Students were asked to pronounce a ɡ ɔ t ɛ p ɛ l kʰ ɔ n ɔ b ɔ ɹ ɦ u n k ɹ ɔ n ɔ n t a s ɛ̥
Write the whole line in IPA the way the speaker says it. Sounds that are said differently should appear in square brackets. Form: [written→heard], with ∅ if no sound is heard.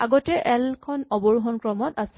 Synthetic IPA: a ɡ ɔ t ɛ [p→ʔ] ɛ l kʰ ɔ n ɔ b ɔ ɹ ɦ [u→ɔ] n k ɹ ɔ [n→m] ɔ [n→∅] t a s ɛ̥